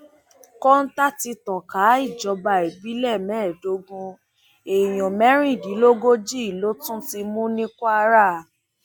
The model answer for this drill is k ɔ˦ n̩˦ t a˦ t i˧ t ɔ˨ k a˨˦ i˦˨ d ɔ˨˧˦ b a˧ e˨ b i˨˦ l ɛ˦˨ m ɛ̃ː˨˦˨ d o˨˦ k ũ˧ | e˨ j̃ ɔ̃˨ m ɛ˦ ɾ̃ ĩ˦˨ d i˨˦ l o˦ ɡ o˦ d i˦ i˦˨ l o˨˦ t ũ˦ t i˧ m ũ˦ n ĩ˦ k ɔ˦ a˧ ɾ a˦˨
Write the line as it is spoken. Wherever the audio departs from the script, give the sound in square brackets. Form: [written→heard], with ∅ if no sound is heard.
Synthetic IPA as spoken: k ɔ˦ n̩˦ t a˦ t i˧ t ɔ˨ k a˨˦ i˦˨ [d→d͡ʒ] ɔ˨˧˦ b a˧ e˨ b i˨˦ l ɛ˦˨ m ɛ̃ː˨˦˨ d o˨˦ [k→ɡ] ũ˧ | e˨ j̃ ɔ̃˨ m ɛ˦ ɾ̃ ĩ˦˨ d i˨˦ l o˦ ɡ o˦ [d→d͡ʒ] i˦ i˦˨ l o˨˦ t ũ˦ t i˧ m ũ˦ n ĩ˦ k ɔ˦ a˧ ɾ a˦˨